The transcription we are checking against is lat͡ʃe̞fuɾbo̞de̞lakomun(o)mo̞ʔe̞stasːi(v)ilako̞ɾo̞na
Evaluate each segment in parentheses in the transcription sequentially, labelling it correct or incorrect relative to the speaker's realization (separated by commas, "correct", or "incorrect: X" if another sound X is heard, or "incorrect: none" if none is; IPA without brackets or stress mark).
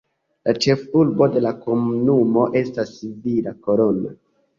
incorrect: u, correct